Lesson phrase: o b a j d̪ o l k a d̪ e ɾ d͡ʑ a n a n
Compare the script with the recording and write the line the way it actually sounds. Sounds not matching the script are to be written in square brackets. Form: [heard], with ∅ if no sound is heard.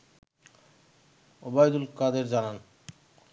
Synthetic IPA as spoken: o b a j d̪ [u] l k a d̪ e ɾ d͡ʑ a n a n